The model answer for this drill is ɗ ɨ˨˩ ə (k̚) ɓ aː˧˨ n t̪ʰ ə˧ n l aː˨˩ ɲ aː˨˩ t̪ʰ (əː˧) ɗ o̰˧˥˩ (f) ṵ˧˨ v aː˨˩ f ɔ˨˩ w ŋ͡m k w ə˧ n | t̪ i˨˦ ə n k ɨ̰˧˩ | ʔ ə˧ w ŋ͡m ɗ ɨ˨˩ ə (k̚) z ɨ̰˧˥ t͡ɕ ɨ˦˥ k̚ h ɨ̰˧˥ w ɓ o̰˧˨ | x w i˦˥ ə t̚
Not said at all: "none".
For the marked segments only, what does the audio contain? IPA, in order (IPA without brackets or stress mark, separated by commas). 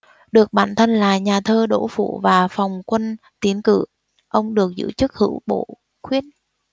k̚, əː˧, f, k̚